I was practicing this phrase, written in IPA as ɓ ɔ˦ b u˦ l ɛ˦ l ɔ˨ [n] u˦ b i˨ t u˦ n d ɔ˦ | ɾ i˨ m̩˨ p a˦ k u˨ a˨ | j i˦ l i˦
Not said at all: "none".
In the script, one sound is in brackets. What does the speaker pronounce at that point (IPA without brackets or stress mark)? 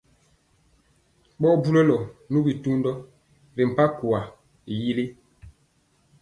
n